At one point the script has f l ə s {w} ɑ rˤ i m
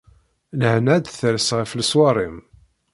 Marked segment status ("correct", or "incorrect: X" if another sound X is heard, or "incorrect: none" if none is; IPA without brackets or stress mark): correct